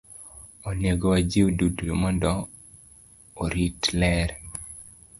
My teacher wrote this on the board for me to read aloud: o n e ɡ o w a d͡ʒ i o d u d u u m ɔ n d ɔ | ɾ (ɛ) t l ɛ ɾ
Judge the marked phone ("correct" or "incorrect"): incorrect